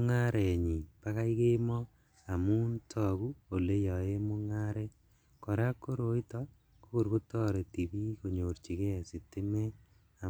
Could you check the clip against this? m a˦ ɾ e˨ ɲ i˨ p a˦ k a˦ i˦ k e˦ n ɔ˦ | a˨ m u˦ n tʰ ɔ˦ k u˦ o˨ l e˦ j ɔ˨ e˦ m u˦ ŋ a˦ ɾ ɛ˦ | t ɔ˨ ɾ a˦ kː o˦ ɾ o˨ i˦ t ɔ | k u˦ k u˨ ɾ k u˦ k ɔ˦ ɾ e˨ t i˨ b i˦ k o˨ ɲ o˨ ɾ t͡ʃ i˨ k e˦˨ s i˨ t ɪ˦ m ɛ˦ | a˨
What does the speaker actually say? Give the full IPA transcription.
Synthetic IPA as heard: ŋ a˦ ɾ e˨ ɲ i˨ p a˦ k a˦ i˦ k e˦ m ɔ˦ | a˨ m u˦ n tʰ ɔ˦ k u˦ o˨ l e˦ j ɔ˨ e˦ m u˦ ŋ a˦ ɾ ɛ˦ | k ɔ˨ ɾ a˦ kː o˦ ɾ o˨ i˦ t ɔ | k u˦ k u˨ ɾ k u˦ t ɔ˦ ɾ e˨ t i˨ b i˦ k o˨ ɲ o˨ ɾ t͡ʃ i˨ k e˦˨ s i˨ t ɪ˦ m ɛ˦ | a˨